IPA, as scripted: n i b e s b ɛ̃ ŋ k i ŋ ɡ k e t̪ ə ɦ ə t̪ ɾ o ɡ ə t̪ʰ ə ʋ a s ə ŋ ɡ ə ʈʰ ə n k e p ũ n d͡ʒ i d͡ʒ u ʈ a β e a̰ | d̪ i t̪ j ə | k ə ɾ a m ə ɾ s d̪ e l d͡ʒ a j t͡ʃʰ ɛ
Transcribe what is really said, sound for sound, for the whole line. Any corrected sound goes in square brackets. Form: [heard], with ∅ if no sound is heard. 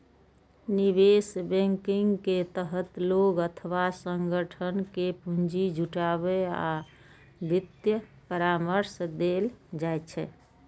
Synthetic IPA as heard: n i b e s b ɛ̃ ŋ k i ŋ ɡ k e t̪ ə ɦ ə t̪ [l] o ɡ ə t̪ʰ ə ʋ a s ə ŋ ɡ ə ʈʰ ə n k e p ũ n d͡ʒ i d͡ʒ u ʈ a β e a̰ | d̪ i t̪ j ə | [p] ə ɾ a m ə ɾ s d̪ e l d͡ʒ a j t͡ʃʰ ɛ